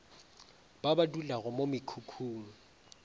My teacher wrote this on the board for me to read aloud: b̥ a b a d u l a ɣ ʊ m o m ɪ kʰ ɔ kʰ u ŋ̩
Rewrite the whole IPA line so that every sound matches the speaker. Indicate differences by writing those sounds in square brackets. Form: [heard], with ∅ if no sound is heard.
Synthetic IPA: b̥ a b a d u l a ɣ ʊ m o m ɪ kʰ [u] kʰ [uː] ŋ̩